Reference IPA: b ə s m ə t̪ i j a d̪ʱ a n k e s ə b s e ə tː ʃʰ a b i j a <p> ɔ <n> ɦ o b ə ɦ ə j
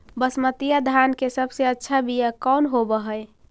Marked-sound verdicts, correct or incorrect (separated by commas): incorrect, correct